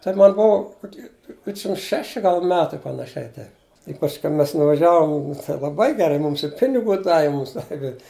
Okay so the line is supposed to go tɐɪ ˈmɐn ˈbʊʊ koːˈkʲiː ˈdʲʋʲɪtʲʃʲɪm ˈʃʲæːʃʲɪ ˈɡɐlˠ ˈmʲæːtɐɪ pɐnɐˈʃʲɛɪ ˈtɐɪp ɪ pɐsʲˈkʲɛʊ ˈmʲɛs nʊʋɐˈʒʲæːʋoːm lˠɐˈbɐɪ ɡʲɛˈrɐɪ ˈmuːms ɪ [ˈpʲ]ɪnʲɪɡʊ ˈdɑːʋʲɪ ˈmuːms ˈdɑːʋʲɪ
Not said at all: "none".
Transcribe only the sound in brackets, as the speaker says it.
pʲ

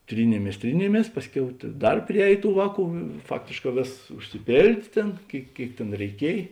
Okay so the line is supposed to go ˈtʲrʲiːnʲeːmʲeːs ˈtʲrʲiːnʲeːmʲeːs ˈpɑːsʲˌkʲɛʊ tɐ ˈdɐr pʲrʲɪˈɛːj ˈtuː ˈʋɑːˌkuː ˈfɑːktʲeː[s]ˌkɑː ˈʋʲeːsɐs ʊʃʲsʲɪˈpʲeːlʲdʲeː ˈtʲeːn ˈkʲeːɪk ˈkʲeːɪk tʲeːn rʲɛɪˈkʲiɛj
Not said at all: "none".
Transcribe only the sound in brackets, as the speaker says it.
ʃ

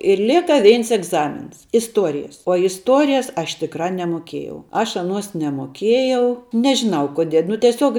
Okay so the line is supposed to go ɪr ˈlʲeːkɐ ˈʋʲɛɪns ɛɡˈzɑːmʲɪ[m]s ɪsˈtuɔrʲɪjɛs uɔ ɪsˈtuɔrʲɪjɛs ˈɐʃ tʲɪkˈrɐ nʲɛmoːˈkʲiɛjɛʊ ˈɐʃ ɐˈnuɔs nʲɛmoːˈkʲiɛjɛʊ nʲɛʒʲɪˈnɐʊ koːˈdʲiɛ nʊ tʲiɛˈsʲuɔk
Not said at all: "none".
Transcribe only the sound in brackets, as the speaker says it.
n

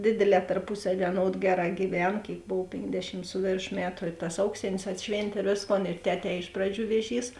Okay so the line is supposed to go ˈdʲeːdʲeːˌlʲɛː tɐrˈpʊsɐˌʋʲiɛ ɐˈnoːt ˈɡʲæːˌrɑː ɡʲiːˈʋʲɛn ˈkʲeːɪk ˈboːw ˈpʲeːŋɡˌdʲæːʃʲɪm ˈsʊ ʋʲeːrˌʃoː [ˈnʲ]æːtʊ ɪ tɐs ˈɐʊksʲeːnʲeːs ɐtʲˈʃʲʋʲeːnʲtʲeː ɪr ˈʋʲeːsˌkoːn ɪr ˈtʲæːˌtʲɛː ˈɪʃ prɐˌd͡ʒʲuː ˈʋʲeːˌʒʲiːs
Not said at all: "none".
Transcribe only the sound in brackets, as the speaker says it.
mʲ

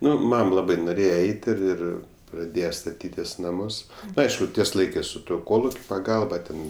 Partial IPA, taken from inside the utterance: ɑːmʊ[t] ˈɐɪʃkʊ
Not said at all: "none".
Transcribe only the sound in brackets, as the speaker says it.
s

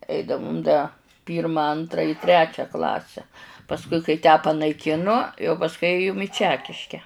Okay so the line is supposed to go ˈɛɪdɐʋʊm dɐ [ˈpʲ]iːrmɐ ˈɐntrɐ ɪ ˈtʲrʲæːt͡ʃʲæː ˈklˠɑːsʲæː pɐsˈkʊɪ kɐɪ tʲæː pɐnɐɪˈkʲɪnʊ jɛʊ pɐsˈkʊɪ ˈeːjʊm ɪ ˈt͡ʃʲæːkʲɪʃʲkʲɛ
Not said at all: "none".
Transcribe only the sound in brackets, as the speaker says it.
pʲ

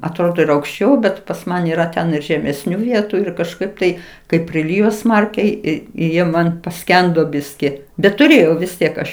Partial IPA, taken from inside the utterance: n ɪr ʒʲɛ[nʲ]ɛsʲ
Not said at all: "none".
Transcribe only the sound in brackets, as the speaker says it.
mʲ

